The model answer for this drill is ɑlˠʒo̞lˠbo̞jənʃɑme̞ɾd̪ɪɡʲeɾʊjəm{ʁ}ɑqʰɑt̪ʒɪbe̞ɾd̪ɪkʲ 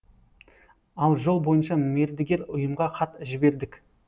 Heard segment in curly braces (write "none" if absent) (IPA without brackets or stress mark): ʁ